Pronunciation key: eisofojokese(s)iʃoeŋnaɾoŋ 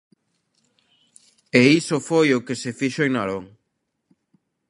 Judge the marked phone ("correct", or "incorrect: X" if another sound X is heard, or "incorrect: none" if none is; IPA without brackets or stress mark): incorrect: f